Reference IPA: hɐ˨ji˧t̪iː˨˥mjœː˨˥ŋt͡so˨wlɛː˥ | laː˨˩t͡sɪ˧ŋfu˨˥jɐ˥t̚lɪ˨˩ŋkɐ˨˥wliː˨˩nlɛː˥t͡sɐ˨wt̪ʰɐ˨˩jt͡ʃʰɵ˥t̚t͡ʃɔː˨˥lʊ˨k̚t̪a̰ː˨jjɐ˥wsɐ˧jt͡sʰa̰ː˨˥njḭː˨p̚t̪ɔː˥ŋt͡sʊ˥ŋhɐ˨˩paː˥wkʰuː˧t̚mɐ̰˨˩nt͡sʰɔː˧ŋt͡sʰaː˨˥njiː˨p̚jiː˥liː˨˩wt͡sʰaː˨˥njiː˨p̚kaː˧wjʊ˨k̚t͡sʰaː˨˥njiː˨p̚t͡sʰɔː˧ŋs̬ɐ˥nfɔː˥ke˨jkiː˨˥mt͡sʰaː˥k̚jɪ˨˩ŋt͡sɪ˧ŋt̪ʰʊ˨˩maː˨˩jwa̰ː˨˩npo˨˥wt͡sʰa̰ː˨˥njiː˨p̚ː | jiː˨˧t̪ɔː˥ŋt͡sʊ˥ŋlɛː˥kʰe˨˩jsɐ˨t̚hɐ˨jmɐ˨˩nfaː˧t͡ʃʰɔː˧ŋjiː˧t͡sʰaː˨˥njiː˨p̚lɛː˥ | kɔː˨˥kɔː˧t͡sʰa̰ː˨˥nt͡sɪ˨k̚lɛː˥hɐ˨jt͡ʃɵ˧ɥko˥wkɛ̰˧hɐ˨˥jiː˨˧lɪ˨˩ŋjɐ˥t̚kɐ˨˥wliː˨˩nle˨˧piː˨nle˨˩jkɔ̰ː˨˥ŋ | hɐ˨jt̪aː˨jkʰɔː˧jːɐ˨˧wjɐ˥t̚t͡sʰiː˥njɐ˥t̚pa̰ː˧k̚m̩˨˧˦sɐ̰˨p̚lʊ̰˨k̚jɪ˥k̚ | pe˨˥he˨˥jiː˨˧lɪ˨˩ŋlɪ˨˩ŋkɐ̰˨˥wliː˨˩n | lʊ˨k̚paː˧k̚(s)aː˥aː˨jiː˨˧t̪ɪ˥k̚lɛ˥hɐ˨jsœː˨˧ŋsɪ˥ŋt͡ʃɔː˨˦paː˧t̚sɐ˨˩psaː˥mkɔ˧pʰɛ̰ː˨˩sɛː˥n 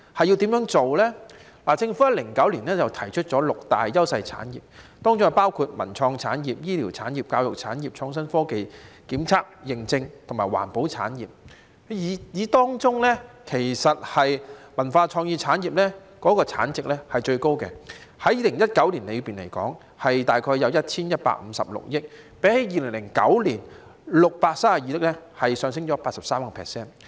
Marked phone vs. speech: correct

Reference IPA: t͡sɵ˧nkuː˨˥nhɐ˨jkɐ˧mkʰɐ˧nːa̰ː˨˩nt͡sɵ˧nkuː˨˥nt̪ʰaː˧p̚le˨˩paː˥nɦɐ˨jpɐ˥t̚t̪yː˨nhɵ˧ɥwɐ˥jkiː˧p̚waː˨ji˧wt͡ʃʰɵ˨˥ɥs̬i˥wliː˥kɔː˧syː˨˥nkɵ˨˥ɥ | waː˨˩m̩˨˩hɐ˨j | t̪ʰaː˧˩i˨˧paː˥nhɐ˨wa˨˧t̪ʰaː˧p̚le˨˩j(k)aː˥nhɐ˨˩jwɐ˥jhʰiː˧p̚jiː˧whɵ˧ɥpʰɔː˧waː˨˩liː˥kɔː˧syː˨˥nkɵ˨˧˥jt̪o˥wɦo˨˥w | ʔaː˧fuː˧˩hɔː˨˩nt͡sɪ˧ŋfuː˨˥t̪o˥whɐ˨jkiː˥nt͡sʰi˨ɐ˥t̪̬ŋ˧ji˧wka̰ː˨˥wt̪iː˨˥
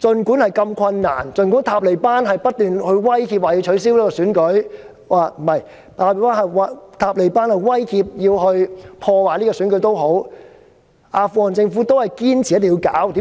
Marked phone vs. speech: incorrect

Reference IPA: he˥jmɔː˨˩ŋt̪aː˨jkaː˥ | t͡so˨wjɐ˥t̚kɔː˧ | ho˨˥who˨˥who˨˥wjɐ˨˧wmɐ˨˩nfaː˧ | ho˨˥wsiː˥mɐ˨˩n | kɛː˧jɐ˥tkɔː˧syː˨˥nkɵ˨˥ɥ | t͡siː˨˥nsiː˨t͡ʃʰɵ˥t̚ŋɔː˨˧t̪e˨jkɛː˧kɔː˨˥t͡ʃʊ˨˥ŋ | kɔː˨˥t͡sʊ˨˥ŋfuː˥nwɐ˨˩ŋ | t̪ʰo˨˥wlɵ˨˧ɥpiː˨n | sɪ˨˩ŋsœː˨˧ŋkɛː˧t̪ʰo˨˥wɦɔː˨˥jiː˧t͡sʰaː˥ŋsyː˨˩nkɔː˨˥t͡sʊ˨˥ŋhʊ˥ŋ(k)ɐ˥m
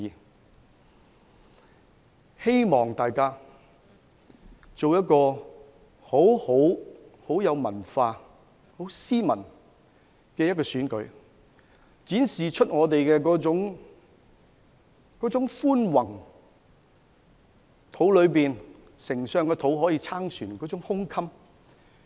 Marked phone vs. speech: incorrect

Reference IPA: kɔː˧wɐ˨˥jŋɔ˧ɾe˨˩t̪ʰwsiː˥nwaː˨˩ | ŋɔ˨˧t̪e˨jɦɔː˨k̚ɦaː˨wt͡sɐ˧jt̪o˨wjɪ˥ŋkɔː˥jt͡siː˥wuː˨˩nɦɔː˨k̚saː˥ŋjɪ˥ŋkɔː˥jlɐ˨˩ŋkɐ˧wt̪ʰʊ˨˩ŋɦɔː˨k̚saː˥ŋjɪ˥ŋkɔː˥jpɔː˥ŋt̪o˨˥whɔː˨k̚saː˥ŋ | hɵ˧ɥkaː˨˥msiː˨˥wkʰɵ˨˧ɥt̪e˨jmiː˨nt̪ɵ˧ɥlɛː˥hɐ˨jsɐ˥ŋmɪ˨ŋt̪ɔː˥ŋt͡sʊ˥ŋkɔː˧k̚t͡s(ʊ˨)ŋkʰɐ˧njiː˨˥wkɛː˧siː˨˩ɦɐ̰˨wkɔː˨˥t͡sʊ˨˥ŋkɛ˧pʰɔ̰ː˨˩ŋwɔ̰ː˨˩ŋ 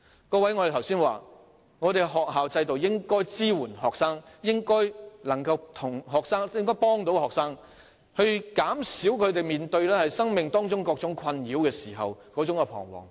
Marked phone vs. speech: incorrect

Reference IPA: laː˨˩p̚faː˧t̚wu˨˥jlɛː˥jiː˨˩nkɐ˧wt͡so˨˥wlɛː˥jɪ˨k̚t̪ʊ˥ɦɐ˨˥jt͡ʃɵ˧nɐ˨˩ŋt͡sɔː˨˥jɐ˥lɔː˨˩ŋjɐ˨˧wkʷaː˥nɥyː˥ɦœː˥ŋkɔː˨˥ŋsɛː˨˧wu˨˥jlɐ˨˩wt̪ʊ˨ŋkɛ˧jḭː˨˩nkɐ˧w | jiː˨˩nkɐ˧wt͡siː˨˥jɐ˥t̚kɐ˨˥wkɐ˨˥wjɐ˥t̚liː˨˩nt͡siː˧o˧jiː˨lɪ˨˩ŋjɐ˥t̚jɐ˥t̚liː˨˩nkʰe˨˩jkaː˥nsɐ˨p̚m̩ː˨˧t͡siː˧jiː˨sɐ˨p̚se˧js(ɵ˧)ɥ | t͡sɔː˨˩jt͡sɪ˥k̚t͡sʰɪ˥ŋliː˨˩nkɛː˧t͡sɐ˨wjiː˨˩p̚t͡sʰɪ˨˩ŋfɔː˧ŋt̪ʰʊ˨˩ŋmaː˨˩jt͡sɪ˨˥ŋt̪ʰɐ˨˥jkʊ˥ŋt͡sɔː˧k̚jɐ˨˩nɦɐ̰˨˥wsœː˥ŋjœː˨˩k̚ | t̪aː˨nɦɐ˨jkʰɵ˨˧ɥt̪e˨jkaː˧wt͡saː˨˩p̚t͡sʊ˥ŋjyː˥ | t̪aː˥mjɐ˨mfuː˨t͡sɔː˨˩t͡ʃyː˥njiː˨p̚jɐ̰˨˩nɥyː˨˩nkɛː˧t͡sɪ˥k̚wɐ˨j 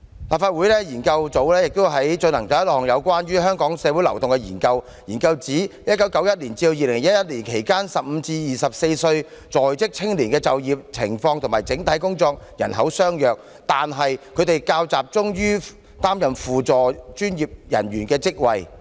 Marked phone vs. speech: correct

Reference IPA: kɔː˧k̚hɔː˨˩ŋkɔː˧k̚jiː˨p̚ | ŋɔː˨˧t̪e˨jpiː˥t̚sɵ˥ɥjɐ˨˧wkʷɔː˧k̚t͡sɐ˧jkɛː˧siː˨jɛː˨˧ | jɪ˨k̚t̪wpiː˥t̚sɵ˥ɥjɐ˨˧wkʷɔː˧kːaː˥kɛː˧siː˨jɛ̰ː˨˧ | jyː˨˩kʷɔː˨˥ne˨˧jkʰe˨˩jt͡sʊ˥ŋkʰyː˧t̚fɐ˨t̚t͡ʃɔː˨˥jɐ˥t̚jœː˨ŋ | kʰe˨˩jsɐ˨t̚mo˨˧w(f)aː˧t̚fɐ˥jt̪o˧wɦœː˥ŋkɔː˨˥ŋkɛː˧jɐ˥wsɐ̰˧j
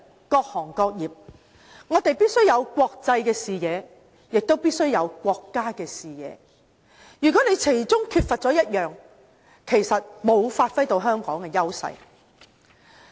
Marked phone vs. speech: correct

